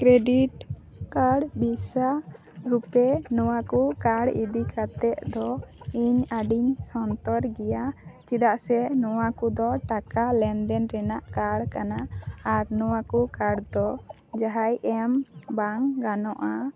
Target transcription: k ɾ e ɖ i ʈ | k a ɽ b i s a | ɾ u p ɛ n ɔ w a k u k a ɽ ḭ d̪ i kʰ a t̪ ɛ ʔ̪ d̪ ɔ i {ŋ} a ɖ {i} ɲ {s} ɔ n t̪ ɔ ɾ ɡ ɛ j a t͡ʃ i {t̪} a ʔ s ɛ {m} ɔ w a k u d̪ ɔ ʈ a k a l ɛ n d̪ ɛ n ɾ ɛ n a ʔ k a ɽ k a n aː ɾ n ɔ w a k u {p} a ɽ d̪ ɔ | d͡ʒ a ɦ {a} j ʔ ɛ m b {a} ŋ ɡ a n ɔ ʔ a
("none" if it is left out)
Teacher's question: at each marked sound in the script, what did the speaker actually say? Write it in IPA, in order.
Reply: ɲ, i, s, d̪, n, k, a, a

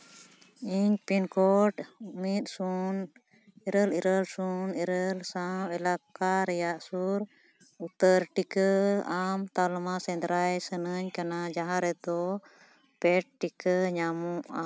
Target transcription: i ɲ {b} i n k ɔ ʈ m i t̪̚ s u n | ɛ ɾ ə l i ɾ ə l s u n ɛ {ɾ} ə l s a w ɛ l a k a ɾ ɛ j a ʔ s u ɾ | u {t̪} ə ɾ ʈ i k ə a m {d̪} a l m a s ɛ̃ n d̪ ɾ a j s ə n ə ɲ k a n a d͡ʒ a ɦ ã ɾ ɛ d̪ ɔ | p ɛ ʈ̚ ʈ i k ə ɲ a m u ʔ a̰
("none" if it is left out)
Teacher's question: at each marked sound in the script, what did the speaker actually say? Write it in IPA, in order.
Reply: p, ɾ, t̪, t̪

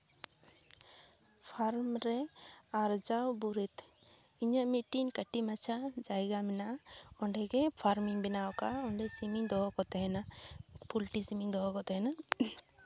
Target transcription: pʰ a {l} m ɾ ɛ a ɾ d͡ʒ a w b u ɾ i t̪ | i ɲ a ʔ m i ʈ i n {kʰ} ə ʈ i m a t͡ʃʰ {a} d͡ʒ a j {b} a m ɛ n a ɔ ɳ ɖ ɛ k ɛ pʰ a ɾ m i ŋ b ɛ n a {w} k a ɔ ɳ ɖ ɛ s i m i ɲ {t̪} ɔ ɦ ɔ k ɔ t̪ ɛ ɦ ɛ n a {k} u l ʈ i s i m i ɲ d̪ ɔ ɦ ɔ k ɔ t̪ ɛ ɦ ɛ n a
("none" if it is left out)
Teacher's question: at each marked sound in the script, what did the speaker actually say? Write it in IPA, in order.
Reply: ɾ, k, a, ɡ, w, d̪, p

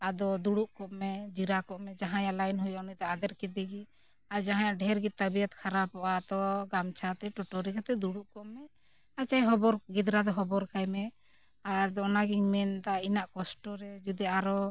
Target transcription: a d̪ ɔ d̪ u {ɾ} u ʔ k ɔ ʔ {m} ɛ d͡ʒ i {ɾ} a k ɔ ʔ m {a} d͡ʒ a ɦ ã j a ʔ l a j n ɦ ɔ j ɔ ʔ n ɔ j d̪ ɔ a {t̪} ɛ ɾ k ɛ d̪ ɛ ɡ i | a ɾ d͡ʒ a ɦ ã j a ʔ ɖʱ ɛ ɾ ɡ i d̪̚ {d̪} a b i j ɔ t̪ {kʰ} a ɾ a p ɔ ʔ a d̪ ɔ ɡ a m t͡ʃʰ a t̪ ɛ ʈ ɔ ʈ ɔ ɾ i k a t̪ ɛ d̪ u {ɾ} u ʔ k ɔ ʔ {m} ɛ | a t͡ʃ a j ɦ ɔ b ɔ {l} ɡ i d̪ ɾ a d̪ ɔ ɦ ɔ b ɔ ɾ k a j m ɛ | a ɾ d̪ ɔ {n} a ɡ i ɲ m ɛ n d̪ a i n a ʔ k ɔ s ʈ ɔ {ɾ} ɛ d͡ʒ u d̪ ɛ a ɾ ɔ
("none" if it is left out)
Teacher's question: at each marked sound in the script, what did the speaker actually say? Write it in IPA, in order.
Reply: ɽ, m, ɾ, ɛ, d̪, t̪, kʰ, ɽ, m, ɾ, n, ɾ

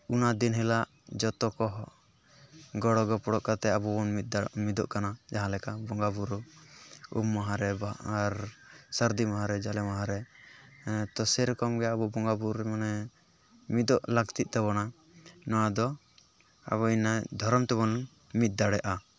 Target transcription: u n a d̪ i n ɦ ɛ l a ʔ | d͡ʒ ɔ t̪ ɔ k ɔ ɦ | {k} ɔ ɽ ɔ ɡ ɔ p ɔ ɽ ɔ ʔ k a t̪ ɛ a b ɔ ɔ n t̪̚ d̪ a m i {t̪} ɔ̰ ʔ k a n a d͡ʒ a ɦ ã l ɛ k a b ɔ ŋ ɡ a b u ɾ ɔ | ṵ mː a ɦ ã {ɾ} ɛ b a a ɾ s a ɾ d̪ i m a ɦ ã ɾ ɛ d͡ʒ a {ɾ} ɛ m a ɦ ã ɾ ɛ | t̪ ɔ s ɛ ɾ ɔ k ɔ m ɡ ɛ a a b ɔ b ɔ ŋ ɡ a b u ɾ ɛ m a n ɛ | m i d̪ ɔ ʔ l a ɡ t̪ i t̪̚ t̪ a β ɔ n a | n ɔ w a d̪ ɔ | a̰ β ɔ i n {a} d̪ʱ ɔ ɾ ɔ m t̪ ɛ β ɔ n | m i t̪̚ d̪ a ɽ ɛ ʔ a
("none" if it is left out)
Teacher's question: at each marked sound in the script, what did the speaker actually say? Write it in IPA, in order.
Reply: ɡ, d̪, ɾ, l, a

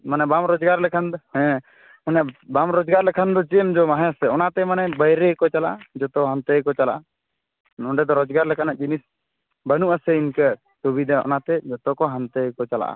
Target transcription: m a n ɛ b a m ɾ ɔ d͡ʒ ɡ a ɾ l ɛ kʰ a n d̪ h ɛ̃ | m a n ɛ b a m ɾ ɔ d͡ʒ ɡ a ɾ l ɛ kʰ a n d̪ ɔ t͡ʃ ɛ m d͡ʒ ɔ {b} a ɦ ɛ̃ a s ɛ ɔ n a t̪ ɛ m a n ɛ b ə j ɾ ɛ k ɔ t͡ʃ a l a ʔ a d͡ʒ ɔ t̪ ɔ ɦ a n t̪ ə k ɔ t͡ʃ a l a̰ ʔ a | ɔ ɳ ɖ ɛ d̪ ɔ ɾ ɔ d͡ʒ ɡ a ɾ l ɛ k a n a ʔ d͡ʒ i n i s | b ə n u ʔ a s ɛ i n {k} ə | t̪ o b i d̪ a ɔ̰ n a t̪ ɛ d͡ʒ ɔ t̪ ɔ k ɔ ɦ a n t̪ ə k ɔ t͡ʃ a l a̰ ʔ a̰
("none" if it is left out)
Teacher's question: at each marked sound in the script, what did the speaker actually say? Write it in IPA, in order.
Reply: m, k

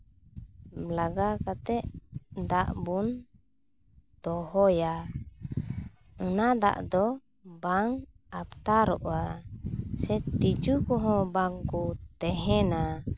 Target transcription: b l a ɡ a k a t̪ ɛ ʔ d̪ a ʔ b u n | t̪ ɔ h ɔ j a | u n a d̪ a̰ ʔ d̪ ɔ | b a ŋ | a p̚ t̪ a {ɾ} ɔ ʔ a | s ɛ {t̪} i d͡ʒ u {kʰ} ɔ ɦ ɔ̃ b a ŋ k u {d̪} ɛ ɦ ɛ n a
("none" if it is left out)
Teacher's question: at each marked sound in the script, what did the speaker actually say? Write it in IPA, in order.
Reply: ɾ, t̪, k, t̪

